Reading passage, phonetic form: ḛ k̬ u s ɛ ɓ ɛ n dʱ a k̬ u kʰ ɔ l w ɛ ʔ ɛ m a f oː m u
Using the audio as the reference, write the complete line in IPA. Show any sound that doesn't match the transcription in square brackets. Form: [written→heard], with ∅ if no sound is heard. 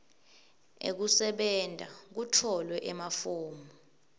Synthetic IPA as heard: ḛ k̬ u s ɛ ɓ ɛ n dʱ a k̬ u [kʰ→tʰ] ɔ l w ɛ ʔ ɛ m a f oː m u